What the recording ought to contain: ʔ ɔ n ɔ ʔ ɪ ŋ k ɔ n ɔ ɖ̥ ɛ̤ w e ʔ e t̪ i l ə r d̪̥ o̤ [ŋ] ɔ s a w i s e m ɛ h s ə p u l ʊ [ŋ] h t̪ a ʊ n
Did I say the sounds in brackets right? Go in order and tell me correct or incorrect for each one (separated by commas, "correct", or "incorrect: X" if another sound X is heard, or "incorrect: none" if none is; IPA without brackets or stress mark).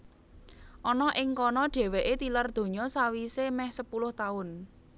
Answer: incorrect: ɲ, incorrect: none